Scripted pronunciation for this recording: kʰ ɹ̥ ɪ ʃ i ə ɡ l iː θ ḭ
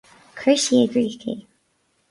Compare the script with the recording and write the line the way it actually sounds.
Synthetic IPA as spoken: kʰ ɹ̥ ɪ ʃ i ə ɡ ɹ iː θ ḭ